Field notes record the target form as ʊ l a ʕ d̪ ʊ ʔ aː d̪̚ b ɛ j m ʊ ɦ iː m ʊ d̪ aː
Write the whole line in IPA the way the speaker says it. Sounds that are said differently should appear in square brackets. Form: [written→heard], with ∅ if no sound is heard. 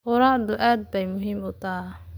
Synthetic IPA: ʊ [l→ɾ] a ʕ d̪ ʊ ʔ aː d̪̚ b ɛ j m ʊ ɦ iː m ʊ [d̪→t̪] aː